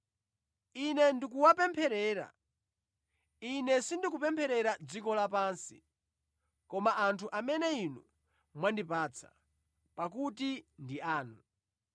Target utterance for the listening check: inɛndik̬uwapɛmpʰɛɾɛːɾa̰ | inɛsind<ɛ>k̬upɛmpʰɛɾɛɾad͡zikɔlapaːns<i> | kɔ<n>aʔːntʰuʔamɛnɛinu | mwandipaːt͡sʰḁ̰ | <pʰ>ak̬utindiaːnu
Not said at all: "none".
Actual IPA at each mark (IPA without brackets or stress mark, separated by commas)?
i, i, m, p